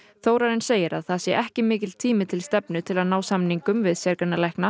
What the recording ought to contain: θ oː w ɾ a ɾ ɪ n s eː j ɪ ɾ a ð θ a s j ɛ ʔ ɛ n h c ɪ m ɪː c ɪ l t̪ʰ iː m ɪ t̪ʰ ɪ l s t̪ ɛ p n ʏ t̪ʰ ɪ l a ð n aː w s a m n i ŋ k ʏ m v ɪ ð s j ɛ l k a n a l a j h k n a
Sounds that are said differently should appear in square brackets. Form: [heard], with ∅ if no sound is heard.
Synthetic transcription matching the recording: θ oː w ɾ a ɾ ɪ n s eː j ɪ ɾ a ð θ a s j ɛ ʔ ɛ [∅] h c ɪ m ɪː c ɪ l t̪ʰ iː m ɪ t̪ʰ ɪ l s t̪ ɛ p n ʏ t̪ʰ ɪ l a ð n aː w s a m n i ŋ k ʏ m v ɪ ð s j ɛ [ɾ] k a n a l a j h k n a